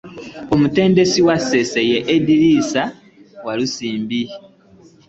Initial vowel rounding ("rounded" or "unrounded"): rounded